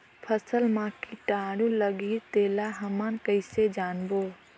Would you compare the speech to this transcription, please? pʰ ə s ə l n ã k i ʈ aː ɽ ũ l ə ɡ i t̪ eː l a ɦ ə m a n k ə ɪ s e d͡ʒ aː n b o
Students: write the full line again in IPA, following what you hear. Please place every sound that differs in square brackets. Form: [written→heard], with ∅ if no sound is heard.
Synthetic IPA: pʰ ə s ə l [n→m] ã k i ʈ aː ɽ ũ l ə ɡ i t̪ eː l a ɦ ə m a n k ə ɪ s e d͡ʒ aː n b o

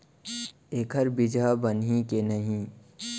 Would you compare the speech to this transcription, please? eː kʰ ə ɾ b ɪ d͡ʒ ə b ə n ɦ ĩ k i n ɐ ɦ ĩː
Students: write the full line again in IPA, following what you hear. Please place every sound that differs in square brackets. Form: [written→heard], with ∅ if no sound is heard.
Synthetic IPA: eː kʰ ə ɾ b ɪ d͡ʒ [ə→a] b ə n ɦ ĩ k [i→e] n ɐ ɦ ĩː

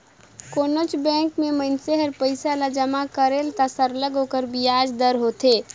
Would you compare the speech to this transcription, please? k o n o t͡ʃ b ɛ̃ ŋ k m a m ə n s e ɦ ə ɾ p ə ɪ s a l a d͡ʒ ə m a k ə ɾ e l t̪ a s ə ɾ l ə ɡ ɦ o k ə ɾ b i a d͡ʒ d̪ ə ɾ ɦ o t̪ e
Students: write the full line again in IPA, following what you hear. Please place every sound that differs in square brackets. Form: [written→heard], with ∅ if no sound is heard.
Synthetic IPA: k o n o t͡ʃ b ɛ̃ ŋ k m [a→e] m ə n s e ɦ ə ɾ p ə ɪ s a l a d͡ʒ ə m a k ə ɾ e l t̪ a s ə ɾ l ə ɡ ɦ o k ə ɾ b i a d͡ʒ d̪ ə ɾ ɦ o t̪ e

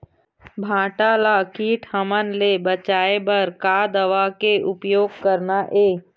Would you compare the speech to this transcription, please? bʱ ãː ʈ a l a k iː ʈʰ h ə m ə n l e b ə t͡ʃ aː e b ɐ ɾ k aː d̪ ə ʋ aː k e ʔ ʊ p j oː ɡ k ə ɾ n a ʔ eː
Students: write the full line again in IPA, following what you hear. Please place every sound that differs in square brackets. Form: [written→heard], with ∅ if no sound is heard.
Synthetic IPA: bʱ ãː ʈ a l a k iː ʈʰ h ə m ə n l e b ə t͡ʃ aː e b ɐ ɾ k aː d̪ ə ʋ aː k e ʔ ʊ p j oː ɡ k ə ɾ n a ʔ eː

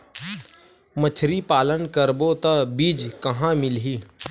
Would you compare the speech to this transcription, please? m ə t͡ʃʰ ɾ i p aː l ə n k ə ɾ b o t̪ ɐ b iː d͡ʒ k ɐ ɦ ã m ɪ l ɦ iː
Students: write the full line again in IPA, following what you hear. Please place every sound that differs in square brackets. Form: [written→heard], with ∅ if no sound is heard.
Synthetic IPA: m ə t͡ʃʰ ɾ i p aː l ə n k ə ɾ b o t̪ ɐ b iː d͡ʒ k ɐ ɦ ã m ɪ l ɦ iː

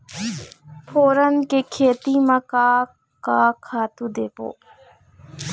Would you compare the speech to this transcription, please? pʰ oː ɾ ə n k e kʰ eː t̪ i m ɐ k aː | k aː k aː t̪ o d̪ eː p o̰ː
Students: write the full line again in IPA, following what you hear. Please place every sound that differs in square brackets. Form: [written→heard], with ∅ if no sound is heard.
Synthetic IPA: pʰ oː ɾ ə n k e kʰ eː t̪ i m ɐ k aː | k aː [k→kʰ] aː t̪ [o→u] d̪ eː p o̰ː

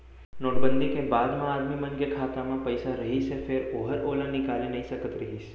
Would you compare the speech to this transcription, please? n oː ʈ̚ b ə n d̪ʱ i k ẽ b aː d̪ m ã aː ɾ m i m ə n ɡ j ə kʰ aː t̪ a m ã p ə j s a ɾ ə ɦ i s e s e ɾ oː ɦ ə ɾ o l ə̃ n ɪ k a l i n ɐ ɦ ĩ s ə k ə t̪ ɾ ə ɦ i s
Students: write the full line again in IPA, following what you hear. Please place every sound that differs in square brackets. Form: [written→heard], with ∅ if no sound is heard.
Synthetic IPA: n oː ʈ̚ b ə n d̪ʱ i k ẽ b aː d̪ m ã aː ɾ m i m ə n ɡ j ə kʰ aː t̪ a m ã p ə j s a ɾ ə ɦ i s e [s→f] e ɾ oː ɦ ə ɾ o l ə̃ n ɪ k a l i n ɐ ɦ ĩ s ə k ə t̪ ɾ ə ɦ i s

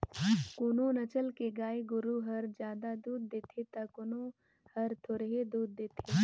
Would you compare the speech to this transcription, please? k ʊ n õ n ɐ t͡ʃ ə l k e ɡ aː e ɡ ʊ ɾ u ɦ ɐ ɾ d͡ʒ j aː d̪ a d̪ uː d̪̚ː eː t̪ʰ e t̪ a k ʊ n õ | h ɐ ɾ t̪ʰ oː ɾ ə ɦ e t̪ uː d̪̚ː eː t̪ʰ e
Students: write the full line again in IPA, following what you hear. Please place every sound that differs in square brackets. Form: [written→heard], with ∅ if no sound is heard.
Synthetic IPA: k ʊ n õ n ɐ t͡ʃ ə l k e ɡ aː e ɡ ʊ ɾ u ɦ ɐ ɾ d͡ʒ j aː d̪ a d̪ uː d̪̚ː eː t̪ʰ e t̪ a k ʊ n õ | h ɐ ɾ t̪ʰ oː ɾ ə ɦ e [t̪→d̪] uː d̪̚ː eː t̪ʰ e

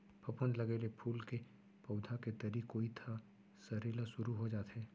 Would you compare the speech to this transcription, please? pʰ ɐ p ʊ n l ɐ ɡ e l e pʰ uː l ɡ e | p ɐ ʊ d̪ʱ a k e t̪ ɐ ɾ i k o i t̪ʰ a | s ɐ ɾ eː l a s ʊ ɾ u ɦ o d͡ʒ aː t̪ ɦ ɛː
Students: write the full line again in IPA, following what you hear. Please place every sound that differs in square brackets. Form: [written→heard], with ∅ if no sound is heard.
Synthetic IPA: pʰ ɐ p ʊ n l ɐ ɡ e l e pʰ uː l [ɡ→k] e | p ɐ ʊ d̪ʱ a k e t̪ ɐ ɾ i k o i t̪ʰ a | s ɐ ɾ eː l a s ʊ ɾ u ɦ o d͡ʒ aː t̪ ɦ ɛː

